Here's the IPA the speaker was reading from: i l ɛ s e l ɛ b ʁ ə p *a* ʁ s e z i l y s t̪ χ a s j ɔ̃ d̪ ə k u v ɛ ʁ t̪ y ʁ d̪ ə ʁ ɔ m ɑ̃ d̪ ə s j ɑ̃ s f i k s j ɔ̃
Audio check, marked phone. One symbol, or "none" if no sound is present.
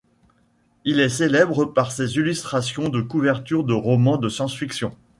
a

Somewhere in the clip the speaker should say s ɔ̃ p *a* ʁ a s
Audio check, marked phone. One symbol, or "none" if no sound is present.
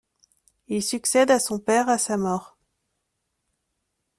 ɛ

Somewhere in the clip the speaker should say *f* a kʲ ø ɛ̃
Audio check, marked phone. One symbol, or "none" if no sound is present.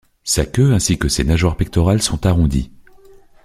s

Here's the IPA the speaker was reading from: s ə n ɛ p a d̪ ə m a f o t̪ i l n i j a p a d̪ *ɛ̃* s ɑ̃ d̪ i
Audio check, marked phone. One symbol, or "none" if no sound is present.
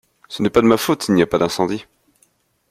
ɛ̃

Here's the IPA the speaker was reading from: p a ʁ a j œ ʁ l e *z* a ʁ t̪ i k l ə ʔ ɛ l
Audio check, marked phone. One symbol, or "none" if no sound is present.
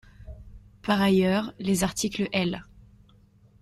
z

